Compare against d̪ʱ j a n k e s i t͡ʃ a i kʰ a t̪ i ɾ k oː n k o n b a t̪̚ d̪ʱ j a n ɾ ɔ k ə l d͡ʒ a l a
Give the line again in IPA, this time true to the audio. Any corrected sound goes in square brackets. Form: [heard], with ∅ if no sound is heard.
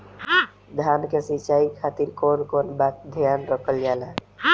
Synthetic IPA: d̪ʱ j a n k e s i t͡ʃ a i kʰ a t̪ i ɾ k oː n k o n b a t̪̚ d̪ʱ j a n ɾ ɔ k ə l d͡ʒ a l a